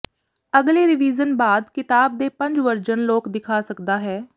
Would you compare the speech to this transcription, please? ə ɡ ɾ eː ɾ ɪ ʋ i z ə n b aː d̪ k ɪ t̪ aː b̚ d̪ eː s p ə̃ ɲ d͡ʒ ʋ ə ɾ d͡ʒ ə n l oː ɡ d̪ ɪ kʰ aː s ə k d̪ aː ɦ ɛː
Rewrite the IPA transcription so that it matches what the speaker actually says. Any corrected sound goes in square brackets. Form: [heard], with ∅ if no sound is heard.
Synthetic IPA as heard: ə ɡ [l] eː ɾ ɪ ʋ [iː] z ə n b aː d̪ k ɪ t̪ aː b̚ d̪ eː [∅] p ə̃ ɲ d͡ʒ ʋ ə ɾ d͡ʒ ə n l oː [k] d̪ ɪ kʰ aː s ə k d̪ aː ɦ ɛː